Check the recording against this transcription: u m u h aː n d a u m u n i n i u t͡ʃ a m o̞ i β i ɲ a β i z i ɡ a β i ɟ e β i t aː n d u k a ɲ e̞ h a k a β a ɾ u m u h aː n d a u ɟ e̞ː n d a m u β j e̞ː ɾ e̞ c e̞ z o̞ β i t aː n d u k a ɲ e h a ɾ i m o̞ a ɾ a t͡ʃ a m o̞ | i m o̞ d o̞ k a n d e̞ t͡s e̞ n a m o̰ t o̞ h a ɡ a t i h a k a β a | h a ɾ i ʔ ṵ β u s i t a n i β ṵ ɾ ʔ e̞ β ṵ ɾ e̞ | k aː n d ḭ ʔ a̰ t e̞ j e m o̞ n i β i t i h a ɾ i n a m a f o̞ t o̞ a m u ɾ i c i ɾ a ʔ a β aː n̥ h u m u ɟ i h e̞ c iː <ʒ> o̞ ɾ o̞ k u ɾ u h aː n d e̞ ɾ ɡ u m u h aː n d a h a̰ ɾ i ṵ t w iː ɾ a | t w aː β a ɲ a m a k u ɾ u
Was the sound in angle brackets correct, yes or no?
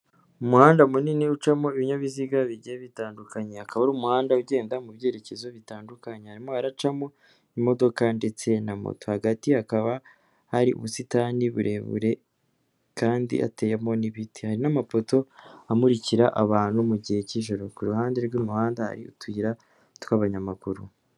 yes